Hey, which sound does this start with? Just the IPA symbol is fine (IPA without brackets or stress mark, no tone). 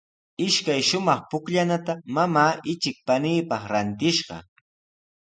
ɪ